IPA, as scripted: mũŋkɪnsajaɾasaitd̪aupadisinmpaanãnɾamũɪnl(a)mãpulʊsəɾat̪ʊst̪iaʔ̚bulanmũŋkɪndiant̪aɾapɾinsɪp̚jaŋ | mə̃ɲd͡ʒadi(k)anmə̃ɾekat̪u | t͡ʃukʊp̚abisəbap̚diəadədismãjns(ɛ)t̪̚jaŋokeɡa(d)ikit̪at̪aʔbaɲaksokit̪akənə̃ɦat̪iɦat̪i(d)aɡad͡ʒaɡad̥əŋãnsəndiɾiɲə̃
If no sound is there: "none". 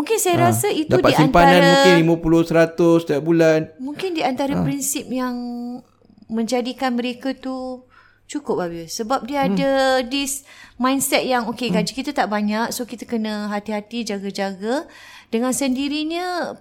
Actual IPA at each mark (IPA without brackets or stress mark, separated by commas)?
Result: i, k, ɛ, d͡ʒ, d͡ʒ